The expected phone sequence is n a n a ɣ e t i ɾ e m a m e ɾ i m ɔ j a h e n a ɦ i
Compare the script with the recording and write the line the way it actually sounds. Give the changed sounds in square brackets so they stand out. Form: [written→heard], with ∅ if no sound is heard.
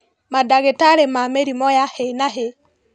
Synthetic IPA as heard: [n→m] a [n→d] a ɣ e t [i→a] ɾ e m a m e ɾ i m ɔ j a h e n a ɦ [i→e]

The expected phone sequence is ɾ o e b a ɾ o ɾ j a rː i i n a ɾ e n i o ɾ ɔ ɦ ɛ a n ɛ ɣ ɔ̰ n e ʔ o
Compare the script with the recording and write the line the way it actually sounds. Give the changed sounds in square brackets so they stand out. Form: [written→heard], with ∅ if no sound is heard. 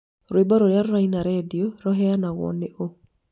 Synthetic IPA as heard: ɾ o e b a ɾ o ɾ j a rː [i→a] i n a ɾ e [n→d] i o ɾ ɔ ɦ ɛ a n [ɛ→a] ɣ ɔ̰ n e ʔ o

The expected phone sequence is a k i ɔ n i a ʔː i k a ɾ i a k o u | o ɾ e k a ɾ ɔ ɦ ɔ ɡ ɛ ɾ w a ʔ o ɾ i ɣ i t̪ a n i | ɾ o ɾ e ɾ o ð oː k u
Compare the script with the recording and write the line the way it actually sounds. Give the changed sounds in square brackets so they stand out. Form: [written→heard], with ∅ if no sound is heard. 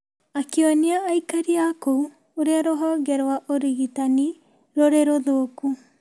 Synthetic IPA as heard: a k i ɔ n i a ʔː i k a ɾ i a k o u | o ɾ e [k→∅] a ɾ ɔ ɦ ɔ ɡ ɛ ɾ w a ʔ o ɾ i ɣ i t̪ a n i | ɾ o ɾ e ɾ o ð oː k u

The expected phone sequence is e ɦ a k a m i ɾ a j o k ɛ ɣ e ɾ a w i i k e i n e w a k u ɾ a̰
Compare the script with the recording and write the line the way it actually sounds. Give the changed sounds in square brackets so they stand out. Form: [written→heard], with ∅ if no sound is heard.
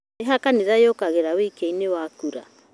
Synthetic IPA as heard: e ɦ a k a [m→n] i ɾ a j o k [ɛ→a] ɣ e ɾ a w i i k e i n e w a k u ɾ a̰

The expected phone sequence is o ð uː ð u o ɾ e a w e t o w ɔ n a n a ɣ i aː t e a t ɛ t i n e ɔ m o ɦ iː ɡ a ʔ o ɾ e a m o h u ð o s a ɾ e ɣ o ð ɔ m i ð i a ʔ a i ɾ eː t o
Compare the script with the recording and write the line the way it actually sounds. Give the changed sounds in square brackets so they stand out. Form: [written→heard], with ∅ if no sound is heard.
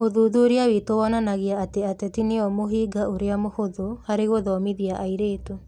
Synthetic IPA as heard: o ð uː ð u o ɾ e a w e t o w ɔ n a n a ɣ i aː t e a t ɛ t i n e ɔ m o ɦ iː ɡ a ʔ o ɾ e a m o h [u→o] ð o [s→h] a ɾ e ɣ o ð ɔ m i ð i a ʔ a i ɾ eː t o

